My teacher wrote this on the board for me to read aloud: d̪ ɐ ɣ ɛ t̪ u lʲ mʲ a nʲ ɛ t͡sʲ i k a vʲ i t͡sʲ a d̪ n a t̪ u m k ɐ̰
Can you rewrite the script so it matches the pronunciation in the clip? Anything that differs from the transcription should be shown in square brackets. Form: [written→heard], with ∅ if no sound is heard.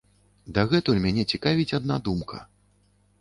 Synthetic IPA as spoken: d̪ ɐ ɣ ɛ t̪ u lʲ mʲ a nʲ ɛ t͡sʲ i k a vʲ i t͡sʲ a d̪ n a [t̪→d̪] u m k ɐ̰

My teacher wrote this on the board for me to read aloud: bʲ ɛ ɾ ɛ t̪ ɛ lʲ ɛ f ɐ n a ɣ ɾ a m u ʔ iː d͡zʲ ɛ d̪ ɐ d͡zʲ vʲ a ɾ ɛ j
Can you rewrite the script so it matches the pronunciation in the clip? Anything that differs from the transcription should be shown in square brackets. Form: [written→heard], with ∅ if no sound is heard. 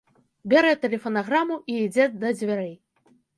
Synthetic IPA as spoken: bʲ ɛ ɾ ɛ t̪ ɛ lʲ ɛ f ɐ n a ɣ ɾ a m u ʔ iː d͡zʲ ɛ d̪ ɐ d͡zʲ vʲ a ɾ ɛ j

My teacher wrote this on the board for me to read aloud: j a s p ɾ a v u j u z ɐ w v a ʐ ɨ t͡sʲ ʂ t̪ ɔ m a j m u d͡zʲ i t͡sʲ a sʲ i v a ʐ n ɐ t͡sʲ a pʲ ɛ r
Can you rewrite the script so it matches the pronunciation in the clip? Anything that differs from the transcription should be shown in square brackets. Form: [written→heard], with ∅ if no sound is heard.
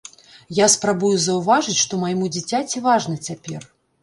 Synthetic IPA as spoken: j a s p ɾ a [v→b] u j u z ɐ w v a ʐ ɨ t͡sʲ ʂ t̪ ɔ m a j m u d͡zʲ i t͡sʲ a [sʲ→t͡sʲ] i v a ʐ n ɐ t͡sʲ a pʲ ɛ r

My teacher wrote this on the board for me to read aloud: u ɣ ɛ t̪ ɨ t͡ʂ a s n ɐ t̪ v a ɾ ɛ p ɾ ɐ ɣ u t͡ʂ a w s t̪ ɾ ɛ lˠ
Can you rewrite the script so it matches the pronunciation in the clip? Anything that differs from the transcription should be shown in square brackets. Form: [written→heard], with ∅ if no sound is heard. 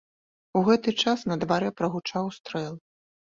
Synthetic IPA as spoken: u ɣ ɛ t̪ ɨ t͡ʂ a s n ɐ [t̪→d̪] v a ɾ ɛ p ɾ ɐ ɣ u t͡ʂ a w s t̪ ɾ ɛ lˠ

